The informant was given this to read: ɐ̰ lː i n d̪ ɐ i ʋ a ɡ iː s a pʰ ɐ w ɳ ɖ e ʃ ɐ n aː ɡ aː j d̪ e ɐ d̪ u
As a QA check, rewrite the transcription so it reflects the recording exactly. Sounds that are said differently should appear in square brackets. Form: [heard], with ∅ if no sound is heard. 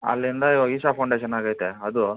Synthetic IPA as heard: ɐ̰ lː i n d̪ ɐ i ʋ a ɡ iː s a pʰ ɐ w ɳ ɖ e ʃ ɐ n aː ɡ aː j [t̪] e ɐ d̪ u

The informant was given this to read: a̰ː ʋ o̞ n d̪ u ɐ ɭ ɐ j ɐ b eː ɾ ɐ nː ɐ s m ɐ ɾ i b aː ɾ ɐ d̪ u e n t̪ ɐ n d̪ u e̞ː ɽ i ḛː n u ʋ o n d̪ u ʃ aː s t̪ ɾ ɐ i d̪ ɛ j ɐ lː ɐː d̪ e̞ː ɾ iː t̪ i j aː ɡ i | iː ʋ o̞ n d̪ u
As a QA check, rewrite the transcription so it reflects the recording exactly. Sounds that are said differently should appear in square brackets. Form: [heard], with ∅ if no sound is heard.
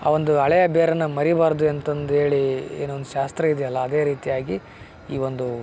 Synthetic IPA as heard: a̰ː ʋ o̞ n d̪ u ɐ ɭ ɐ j ɐ b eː ɾ ɐ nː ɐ [∅] m ɐ ɾ i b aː ɾ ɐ d̪ u e n t̪ ɐ n d̪ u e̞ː [ɭ] i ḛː n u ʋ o n d̪ u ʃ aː s t̪ ɾ ɐ i d̪ ɛ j ɐ lː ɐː d̪ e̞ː ɾ iː t̪ i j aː ɡ i | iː ʋ o̞ n d̪ u

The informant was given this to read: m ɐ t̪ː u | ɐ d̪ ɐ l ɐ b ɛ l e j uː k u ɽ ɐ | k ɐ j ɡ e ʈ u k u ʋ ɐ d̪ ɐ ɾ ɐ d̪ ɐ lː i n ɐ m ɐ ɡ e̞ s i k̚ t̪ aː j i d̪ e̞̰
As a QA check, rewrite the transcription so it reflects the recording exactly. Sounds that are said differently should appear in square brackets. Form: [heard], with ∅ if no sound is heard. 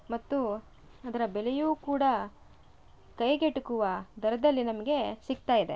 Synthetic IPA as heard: m ɐ t̪ː u | ɐ d̪ ɐ [ɾ] ɐ b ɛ l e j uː k [uː] ɽ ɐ | k ɐ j ɡ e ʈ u k u ʋ ɐ d̪ ɐ ɾ ɐ d̪ ɐ lː i n ɐ m ɐ ɡ e̞ s i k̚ t̪ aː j i d̪ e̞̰

